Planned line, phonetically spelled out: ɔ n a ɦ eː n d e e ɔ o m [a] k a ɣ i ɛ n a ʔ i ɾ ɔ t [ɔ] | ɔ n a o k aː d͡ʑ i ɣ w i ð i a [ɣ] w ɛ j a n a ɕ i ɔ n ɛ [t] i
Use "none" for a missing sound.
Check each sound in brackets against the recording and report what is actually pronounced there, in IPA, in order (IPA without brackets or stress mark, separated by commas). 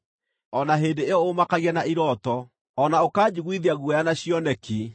a, ɔ, ɣ, k